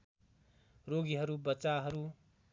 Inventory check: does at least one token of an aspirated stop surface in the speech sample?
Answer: no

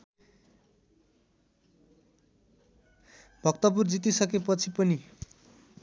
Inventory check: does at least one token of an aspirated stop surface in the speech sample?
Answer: yes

